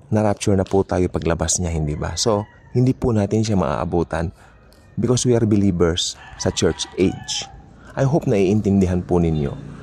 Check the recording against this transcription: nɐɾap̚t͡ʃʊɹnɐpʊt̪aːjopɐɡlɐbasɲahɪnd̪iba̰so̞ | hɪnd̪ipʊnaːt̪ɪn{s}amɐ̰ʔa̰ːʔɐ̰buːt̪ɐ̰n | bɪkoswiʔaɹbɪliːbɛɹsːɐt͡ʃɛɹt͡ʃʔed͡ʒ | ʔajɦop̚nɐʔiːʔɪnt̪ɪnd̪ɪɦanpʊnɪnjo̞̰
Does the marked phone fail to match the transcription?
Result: yes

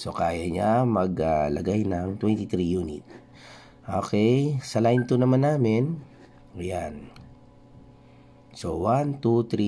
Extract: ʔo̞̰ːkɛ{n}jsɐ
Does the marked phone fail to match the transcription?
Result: yes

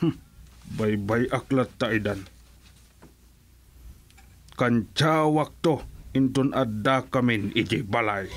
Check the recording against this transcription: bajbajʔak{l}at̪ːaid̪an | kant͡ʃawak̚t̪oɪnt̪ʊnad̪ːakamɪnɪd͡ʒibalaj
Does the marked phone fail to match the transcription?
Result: no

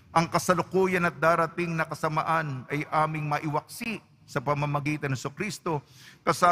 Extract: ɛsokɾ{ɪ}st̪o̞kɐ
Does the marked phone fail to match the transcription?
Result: yes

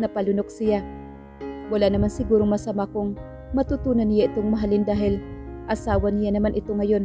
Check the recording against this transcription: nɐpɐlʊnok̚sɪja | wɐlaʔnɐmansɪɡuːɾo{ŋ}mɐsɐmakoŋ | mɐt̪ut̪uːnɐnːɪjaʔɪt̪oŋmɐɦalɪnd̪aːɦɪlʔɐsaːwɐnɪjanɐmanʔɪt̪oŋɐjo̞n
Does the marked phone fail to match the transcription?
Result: no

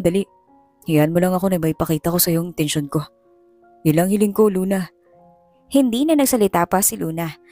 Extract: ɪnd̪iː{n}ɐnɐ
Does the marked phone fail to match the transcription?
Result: no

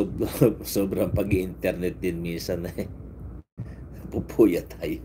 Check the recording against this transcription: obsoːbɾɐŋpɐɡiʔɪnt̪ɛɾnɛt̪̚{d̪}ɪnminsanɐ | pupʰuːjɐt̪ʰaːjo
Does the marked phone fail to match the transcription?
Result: no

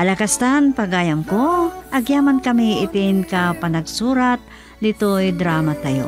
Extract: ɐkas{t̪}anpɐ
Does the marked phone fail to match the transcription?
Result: no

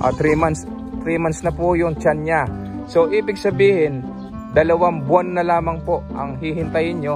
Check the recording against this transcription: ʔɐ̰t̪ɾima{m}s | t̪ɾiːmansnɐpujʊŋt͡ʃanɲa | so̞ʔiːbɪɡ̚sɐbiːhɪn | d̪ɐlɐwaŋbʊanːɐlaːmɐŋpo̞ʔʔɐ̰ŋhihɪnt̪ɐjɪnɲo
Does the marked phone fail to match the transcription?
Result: yes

